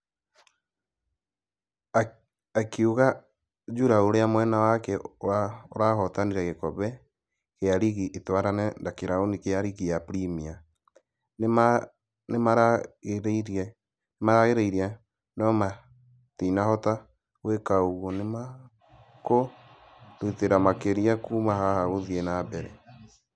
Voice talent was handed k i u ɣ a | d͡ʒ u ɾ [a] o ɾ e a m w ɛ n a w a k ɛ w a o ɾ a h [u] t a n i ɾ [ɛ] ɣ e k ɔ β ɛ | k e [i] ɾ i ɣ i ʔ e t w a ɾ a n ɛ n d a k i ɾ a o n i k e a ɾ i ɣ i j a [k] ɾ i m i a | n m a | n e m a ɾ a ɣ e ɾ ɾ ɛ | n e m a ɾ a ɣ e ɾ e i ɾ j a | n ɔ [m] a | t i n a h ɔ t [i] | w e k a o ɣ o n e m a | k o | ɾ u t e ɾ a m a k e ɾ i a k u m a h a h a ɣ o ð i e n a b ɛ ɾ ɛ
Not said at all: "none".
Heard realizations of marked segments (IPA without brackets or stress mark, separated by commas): a, ɔ, ɛ, a, p, m, a